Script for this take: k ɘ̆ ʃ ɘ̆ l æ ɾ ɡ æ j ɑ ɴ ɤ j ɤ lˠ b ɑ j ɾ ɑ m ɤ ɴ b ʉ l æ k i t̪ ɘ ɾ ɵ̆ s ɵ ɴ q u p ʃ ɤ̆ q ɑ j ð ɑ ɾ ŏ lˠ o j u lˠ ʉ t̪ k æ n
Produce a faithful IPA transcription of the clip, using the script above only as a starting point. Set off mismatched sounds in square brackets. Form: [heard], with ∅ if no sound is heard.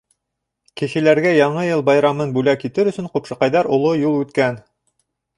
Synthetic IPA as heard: k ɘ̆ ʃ ɘ̆ l æ ɾ ɡ æ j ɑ ɴ ɤ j ɤ lˠ b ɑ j ɾ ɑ m ɤ [n] b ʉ l æ k i t̪ ɘ ɾ ɵ̆ s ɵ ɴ q u p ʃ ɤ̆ q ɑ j ð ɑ ɾ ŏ lˠ o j u lˠ ʉ t̪ k æ n